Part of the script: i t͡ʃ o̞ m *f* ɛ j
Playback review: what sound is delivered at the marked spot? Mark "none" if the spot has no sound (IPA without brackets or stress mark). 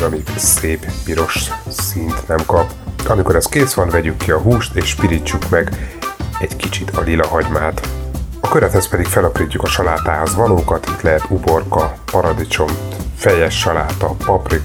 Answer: f